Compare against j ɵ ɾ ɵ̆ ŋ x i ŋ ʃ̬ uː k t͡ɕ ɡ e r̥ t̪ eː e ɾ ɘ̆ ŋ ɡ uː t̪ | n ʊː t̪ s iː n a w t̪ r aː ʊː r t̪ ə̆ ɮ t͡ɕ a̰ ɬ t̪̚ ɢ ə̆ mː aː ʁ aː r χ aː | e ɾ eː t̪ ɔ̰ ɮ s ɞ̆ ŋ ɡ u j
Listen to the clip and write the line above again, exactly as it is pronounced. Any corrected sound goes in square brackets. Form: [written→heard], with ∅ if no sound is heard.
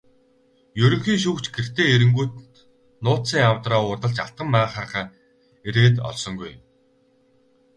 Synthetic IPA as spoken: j ɵ ɾ ɵ̆ ŋ x [i→iː] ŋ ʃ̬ uː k t͡ɕ ɡ e r̥ t̪ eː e ɾ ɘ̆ ŋ ɡ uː t̪ | n ʊː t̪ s iː [n→ŋ] a w t̪ r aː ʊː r t̪ ə̆ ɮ t͡ɕ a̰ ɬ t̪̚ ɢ ə̆ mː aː [ʁ→χ] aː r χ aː | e ɾ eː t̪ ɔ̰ ɮ s ɞ̆ ŋ ɡ u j